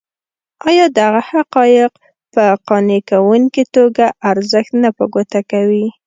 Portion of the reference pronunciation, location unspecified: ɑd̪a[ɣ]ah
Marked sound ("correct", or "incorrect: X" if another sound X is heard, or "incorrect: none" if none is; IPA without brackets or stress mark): correct